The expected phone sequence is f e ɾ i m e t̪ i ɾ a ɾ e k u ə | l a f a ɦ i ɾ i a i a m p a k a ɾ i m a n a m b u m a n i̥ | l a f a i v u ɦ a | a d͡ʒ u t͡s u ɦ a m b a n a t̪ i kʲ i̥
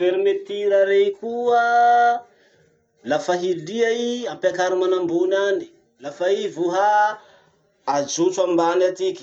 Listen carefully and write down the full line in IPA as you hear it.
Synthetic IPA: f e ɾ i m e t̪ i ɾ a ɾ e k u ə | l a f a ɦ i l i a i a m p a k a ɾ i m a n a m b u n a n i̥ | l a f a i v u ɦ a | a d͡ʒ u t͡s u a m b a n a t̪ i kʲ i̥